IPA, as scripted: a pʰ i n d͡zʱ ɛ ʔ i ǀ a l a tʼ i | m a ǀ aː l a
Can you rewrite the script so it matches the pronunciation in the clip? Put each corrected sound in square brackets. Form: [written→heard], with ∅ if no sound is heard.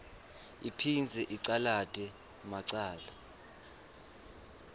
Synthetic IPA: [a→i] pʰ i n d͡zʱ ɛ ʔ i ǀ a l a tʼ [i→ɛ] | m a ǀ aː l a